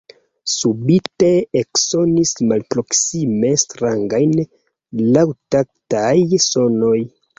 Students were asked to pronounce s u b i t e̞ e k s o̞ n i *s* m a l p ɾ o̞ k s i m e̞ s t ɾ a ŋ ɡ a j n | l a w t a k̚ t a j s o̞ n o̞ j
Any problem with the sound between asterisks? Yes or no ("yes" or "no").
no